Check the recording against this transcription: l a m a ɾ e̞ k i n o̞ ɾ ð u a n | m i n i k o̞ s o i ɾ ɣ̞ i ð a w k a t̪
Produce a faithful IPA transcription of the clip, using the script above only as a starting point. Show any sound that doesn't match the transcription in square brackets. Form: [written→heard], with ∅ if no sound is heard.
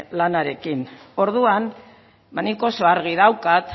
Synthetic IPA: l a [m→n] a ɾ e̞ k i n o̞ ɾ ð u a n | m [i→a] n i k o̞ s o [i→a] ɾ ɣ̞ i ð a w k a t̪